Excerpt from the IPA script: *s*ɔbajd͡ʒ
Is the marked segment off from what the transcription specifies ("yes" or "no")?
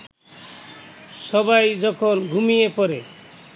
no